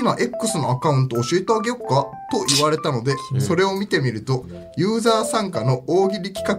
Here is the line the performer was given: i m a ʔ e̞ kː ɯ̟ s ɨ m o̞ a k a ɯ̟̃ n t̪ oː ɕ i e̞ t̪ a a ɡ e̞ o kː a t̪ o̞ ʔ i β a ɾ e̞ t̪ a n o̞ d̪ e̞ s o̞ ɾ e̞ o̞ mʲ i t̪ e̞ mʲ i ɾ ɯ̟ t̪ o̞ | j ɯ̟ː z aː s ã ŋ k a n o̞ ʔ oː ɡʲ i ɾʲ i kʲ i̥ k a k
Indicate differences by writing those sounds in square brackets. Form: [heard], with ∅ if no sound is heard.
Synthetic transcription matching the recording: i m a ʔ e̞ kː ɯ̟ s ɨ [n] o̞ a k a ɯ̟̃ n t̪ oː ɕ i e̞ t̪ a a ɡ e̞ o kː a t̪ o̞ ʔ i β a ɾ e̞ t̪ a n o̞ d̪ e̞ s o̞ ɾ e̞ o̞ mʲ i t̪ e̞ mʲ i ɾ ɯ̟ t̪ o̞ | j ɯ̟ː z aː s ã ŋ k a n o̞ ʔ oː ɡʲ i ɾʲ i kʲ i̥ k a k